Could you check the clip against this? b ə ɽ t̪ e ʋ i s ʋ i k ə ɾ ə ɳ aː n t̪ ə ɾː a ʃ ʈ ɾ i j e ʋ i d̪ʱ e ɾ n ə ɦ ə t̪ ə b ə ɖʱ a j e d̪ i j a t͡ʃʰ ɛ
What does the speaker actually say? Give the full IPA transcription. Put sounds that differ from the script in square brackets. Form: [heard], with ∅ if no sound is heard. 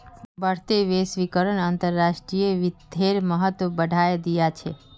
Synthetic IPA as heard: b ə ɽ t̪ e ʋ [e] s ʋ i k ə ɾ ə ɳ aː n t̪ ə ɾː a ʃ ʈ ɾ i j e ʋ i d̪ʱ e ɾ [m] ə ɦ ə t̪ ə b ə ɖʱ a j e d̪ i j a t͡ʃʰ [e]